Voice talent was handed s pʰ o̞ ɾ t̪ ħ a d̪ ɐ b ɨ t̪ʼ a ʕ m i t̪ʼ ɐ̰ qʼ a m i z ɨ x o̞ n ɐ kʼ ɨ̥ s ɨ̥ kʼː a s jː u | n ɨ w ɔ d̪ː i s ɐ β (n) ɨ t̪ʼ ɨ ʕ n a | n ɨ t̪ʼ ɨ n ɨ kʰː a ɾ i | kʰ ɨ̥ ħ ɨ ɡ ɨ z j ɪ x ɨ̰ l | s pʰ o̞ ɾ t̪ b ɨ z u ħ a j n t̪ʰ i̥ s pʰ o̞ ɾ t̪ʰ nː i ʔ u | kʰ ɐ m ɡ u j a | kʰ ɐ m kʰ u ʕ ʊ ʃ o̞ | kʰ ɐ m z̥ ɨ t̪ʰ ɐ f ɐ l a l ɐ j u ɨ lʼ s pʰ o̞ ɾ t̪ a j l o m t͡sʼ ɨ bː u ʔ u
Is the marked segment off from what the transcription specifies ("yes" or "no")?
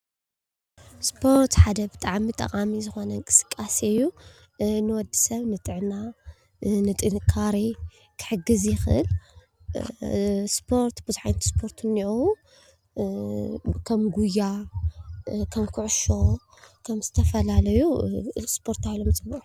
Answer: no